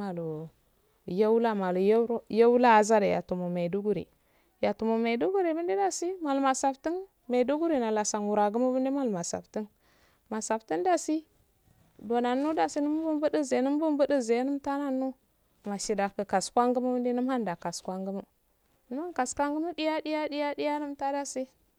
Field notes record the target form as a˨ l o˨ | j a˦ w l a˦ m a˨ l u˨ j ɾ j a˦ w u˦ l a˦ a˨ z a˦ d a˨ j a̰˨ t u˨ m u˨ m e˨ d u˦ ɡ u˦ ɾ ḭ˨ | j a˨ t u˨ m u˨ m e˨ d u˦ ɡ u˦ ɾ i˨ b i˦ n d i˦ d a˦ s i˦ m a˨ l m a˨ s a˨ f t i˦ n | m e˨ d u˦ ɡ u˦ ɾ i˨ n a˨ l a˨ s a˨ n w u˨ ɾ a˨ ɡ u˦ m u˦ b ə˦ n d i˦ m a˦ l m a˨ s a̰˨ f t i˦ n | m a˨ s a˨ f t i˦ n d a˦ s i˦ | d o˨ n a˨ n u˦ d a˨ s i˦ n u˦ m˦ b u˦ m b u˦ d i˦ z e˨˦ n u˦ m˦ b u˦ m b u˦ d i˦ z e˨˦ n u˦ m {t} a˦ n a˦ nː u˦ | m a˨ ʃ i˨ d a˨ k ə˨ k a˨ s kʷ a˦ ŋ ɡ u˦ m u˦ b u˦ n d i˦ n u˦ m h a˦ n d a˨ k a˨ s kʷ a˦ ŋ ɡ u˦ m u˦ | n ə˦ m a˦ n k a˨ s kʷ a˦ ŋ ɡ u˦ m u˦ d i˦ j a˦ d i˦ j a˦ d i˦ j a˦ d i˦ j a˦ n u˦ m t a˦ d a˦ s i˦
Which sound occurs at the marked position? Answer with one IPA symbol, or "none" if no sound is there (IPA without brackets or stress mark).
t